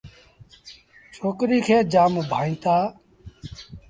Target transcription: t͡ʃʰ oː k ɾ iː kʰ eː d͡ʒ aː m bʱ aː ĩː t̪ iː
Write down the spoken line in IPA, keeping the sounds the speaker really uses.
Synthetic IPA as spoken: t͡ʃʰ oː k ɾ iː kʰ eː d͡ʒ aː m bʱ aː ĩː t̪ aː